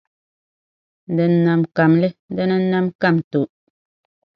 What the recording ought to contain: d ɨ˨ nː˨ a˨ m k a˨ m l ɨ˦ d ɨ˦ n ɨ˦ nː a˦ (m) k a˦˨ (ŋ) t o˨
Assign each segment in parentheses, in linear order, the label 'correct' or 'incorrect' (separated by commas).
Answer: correct, incorrect